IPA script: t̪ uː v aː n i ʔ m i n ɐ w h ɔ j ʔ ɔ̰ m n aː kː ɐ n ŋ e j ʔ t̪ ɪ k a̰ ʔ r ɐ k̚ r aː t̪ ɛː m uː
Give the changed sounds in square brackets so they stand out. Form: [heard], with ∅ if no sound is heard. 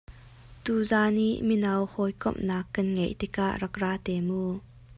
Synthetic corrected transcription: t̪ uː [z] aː n i ʔ m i n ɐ w h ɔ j [k] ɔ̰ m n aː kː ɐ n ŋ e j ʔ t̪ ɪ k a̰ ʔ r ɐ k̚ r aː t̪ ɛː m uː